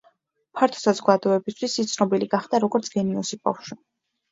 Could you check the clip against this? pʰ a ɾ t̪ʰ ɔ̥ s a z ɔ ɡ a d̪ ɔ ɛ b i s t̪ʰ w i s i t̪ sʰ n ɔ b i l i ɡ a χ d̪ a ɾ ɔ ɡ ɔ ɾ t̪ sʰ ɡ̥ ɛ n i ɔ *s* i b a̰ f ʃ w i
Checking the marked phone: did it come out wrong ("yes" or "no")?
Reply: no